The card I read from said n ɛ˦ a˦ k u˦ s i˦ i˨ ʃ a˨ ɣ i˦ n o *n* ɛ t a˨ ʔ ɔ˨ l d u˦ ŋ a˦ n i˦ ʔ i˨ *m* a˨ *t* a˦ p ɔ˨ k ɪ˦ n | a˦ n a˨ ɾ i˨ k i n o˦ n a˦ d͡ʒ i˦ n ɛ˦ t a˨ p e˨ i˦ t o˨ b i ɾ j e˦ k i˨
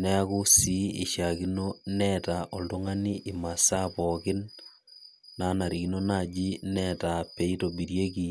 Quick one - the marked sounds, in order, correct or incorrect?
correct, correct, incorrect

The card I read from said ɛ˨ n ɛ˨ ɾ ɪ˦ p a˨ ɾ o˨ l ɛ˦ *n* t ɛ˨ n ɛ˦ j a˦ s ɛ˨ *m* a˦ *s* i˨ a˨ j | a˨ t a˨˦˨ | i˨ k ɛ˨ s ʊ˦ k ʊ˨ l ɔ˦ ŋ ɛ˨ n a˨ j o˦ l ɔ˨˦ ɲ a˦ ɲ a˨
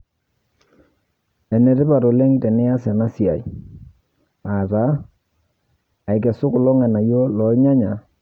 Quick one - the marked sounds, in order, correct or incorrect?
incorrect, incorrect, correct

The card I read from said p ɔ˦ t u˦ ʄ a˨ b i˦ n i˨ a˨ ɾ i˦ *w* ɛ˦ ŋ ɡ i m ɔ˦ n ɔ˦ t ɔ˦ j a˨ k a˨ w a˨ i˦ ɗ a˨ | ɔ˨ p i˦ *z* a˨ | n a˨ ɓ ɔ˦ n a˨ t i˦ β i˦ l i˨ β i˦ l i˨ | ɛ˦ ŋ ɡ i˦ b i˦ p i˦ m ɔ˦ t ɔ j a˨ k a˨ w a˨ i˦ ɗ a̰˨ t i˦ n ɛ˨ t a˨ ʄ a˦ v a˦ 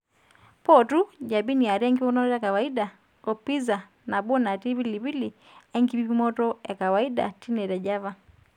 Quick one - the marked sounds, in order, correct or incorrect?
incorrect, correct

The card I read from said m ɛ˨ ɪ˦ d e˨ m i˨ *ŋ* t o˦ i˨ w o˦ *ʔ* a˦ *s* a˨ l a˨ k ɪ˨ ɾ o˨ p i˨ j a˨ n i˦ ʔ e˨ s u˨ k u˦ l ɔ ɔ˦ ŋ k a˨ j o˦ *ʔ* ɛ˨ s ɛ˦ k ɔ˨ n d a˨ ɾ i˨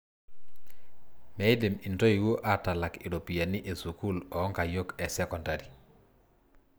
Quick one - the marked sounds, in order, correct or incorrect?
incorrect, correct, incorrect, incorrect

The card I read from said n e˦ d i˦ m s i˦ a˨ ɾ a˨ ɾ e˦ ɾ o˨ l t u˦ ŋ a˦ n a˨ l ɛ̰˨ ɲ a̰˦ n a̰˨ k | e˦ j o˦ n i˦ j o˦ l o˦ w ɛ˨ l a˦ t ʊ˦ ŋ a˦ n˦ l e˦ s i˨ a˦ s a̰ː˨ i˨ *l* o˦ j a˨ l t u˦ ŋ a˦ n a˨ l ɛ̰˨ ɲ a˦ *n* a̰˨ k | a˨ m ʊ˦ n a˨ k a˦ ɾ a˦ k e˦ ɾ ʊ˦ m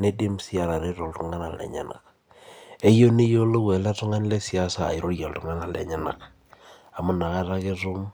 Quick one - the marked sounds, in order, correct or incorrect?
incorrect, correct

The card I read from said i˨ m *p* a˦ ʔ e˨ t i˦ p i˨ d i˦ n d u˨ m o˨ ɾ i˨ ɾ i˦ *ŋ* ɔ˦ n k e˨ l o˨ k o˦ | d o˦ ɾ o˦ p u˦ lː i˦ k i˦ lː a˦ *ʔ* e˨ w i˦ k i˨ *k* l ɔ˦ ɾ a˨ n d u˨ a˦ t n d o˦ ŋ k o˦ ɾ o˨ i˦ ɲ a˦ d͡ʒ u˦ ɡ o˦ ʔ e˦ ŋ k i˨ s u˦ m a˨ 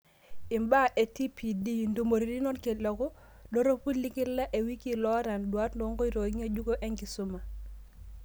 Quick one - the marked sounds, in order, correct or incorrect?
incorrect, incorrect, correct, incorrect

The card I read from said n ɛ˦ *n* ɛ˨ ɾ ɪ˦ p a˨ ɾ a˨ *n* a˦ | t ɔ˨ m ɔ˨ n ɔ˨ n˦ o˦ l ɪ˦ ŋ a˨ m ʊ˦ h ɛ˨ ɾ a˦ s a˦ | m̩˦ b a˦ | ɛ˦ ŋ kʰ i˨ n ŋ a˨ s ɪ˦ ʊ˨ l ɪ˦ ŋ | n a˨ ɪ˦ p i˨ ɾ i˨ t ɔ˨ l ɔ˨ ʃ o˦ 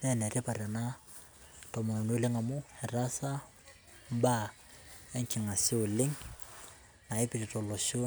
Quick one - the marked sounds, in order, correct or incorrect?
correct, correct

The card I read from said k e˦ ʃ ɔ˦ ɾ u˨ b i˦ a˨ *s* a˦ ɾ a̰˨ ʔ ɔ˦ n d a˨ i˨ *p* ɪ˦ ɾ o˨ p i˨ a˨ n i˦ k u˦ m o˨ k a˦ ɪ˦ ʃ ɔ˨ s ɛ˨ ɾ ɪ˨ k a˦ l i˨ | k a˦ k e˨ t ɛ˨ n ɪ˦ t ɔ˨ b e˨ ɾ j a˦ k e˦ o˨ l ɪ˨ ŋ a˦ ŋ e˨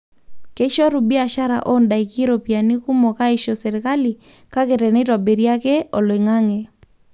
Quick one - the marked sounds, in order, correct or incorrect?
incorrect, incorrect

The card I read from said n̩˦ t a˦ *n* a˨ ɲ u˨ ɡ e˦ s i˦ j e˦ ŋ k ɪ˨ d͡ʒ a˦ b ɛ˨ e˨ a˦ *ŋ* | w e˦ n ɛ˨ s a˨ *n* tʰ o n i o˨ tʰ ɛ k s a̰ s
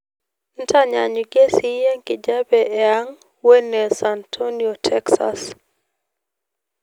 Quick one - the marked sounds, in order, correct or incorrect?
incorrect, correct, correct

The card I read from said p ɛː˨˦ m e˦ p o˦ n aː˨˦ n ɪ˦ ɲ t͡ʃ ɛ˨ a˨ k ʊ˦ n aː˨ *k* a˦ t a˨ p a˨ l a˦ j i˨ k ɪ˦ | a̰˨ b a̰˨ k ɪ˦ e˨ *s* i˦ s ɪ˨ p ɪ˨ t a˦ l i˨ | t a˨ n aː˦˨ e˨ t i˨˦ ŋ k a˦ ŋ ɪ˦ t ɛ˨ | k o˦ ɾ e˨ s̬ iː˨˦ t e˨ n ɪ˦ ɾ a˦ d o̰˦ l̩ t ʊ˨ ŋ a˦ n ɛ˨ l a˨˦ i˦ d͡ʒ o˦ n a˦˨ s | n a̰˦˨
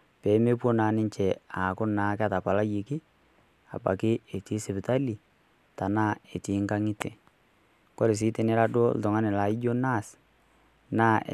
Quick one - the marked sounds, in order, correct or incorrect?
correct, incorrect

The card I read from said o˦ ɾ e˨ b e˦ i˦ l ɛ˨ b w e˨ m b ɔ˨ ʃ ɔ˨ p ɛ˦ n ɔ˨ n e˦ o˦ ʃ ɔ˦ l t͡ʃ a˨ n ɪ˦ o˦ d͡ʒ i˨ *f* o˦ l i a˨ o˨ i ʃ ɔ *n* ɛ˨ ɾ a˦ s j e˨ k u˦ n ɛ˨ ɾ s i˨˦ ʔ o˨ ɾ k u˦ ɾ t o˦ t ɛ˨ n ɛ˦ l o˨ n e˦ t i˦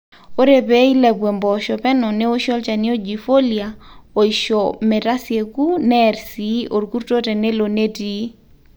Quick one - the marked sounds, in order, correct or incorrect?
correct, incorrect

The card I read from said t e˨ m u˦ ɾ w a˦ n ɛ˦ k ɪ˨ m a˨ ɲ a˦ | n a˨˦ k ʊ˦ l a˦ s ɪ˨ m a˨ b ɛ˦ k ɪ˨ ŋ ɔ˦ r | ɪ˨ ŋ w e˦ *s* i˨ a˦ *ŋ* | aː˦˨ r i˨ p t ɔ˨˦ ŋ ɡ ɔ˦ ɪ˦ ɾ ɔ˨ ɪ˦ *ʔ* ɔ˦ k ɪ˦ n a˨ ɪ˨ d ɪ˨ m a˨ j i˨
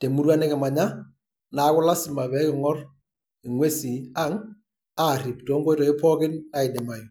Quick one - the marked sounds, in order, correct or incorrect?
correct, correct, incorrect

